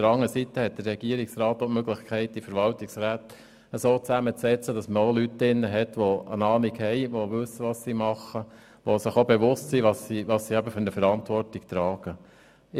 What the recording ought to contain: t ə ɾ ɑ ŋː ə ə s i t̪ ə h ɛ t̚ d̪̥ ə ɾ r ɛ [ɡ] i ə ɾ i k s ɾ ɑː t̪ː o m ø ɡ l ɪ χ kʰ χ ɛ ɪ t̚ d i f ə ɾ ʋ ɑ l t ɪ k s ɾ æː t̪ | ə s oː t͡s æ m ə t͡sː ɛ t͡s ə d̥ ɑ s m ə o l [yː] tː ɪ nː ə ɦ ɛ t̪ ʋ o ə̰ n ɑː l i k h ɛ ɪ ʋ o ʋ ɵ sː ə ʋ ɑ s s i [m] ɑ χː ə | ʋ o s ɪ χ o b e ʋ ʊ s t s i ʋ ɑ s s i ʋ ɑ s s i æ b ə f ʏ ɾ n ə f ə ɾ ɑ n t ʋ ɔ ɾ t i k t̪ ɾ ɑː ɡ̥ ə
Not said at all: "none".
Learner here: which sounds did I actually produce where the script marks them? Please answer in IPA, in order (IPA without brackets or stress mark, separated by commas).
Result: ɡ, y, m